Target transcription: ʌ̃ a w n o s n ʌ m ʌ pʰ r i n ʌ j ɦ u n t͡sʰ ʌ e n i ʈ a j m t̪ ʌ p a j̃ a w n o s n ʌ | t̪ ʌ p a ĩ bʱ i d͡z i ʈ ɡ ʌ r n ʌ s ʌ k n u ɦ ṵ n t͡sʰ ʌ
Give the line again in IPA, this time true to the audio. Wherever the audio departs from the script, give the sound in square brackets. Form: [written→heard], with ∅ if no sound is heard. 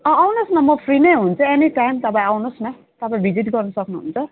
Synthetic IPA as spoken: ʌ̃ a w n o s n ʌ m ʌ pʰ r i n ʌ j ɦ u n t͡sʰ ʌ e n i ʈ a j m t̪ ʌ p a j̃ a w n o s n ʌ | t̪ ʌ p a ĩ bʱ i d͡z i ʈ ɡ ʌ r n ʌ s ʌ k n u ɦ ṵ n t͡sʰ ʌ